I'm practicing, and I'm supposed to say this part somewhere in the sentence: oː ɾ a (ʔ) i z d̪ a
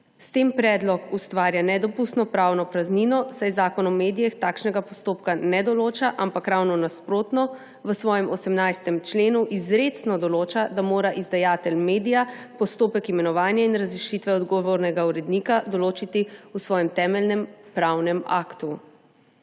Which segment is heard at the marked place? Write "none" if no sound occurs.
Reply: ʔ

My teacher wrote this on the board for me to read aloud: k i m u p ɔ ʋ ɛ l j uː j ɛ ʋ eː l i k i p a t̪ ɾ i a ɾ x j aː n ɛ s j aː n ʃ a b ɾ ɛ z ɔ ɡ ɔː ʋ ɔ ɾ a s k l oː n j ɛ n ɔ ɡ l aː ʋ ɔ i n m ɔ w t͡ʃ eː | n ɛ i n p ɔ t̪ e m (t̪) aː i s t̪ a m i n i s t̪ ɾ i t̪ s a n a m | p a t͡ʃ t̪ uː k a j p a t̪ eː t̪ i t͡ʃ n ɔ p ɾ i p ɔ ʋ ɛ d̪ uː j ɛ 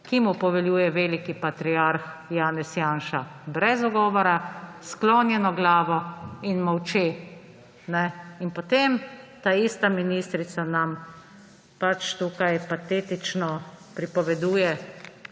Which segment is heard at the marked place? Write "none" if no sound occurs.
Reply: t̪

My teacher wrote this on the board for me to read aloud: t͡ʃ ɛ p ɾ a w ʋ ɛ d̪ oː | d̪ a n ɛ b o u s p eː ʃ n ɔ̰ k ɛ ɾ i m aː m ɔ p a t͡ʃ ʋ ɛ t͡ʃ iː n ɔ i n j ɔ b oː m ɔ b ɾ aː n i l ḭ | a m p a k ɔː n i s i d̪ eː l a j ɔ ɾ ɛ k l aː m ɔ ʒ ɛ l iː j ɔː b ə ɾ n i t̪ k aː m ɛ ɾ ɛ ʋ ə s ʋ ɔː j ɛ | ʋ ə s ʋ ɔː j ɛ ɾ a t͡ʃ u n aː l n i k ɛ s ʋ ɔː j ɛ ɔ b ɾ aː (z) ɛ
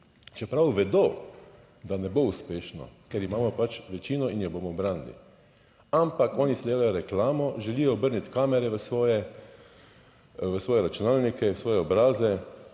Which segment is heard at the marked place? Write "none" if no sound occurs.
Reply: z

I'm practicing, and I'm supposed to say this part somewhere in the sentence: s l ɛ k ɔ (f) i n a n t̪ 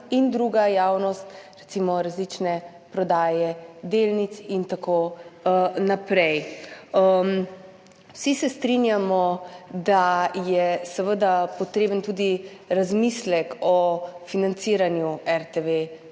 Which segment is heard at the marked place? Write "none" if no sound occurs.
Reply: f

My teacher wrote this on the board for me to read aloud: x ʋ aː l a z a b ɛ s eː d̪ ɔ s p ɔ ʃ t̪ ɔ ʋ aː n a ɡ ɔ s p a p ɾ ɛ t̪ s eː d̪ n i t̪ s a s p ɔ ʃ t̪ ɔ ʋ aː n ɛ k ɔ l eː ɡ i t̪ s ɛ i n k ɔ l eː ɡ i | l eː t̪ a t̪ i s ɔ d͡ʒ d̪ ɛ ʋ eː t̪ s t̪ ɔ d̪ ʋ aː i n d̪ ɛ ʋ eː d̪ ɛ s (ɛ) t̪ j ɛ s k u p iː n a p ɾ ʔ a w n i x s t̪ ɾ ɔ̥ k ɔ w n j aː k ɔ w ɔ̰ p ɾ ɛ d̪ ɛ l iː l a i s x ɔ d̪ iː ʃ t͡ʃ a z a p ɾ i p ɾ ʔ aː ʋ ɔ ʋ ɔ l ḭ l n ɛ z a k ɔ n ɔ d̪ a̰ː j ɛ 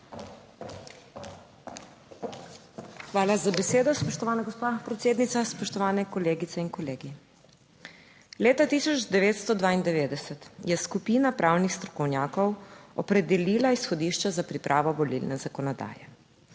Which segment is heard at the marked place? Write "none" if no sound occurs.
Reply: ɛ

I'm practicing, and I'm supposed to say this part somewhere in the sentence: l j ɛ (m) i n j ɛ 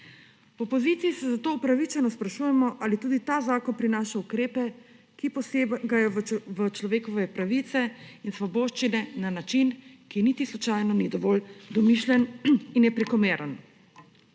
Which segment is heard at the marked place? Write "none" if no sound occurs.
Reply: n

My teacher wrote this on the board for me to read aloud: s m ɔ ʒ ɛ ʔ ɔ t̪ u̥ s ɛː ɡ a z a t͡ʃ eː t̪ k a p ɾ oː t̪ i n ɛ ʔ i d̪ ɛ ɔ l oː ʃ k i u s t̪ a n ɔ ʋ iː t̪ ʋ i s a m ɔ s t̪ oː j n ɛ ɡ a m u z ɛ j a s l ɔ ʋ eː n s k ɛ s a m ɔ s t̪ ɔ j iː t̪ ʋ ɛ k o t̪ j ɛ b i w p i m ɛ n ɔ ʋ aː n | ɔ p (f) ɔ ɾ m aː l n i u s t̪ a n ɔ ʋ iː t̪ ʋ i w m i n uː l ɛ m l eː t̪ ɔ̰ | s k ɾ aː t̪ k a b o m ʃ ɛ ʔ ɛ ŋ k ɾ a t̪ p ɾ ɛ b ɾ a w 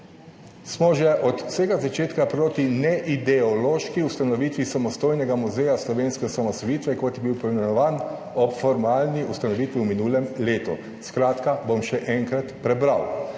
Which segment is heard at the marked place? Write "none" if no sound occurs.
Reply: f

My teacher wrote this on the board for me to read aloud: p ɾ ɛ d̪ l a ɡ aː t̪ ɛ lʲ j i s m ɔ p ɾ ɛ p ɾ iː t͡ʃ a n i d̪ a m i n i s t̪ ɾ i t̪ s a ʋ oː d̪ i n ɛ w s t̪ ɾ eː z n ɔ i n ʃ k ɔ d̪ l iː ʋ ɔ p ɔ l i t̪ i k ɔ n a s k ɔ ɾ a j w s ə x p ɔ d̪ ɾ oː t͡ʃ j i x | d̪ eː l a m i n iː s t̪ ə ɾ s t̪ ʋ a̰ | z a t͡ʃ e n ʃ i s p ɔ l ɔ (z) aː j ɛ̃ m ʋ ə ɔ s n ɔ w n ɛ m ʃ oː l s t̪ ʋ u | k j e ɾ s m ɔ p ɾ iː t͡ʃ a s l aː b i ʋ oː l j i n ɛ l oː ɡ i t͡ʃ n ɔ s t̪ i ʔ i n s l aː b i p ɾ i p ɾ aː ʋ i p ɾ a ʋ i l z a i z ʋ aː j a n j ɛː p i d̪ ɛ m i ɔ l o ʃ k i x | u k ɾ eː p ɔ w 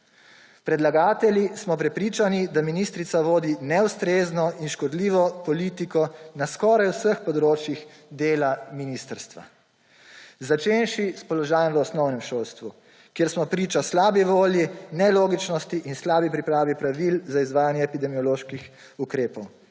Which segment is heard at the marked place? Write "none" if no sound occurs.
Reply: ʒ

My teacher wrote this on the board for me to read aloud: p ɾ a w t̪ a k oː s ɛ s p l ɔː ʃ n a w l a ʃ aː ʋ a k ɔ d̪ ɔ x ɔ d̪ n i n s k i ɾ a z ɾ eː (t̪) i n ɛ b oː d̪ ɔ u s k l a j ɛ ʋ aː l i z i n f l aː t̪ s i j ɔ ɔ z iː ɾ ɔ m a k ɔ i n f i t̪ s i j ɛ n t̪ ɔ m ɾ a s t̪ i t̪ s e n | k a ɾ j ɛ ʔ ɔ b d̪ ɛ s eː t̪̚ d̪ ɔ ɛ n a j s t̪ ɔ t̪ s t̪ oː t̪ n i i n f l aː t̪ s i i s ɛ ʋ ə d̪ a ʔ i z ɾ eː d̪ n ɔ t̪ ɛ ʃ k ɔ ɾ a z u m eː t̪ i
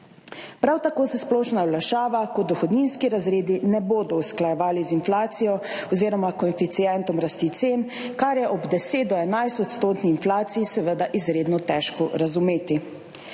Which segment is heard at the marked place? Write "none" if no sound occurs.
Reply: d̪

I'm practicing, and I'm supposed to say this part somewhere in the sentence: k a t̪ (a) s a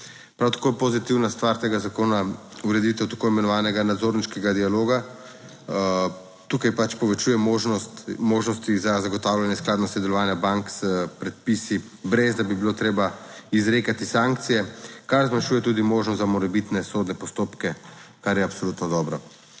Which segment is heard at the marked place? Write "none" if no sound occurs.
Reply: i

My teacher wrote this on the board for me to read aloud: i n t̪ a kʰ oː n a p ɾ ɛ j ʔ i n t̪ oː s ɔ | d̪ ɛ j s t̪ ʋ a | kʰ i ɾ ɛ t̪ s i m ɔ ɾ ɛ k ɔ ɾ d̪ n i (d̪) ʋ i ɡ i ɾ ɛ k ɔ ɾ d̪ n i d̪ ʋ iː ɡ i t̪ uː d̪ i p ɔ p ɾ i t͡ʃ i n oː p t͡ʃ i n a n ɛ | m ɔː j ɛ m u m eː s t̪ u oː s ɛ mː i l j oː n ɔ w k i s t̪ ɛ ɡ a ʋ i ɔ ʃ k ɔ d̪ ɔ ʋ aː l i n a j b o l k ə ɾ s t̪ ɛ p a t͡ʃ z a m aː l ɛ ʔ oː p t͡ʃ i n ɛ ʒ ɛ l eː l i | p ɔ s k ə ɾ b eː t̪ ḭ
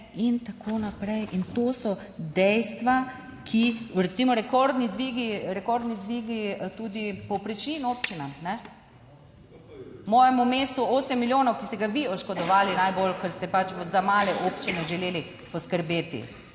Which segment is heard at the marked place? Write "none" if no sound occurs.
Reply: d̪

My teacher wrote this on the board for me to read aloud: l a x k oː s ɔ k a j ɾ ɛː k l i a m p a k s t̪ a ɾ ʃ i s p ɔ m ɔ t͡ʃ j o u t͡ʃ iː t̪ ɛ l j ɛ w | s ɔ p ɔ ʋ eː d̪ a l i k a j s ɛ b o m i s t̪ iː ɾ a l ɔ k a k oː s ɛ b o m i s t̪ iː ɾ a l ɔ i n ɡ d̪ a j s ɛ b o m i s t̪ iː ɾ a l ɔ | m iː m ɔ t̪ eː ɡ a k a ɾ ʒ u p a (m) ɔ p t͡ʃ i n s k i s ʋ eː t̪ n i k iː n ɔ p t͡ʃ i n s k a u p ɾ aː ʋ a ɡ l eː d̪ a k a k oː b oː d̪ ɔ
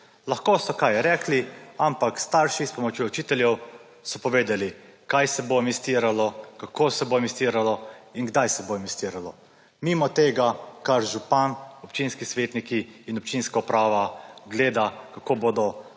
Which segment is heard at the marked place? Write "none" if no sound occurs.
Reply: n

